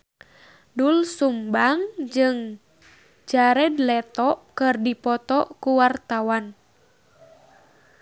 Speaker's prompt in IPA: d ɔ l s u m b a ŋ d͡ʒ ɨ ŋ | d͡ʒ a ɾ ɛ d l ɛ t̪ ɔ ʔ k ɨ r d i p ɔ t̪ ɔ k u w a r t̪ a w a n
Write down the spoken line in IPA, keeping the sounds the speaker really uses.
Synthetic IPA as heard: d u l s u m b a ŋ d͡ʒ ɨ ŋ | d͡ʒ a ɾ ɛ d l ɛ t̪ ɔ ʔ k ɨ r d i p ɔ t̪ ɔ k u w a r t̪ a w a n

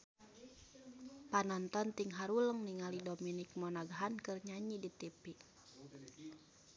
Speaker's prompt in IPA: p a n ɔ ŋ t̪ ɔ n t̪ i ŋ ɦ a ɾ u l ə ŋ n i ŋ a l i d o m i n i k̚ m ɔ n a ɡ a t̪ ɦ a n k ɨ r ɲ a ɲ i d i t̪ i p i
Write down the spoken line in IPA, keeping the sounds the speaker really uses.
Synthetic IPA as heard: p a n ɔ n t̪ ɔ n t̪ i ŋ ɦ a ɾ u l ə ŋ n i ŋ a l i d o m i n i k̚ m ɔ n a ɡ a ɦ a n k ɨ r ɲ a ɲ i d i t̪ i p i

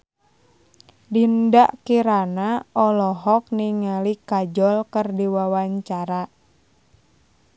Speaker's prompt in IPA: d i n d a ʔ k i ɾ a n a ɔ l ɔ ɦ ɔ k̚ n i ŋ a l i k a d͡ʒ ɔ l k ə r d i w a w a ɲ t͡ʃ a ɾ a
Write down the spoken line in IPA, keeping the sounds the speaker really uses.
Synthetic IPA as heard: d i n d a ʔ k i ɾ a n a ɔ l ɔ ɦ ɔ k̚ n i ŋ a l i k a d͡ʒ ɔ l k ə r d i w a w a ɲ t͡ʃ a ɾ a

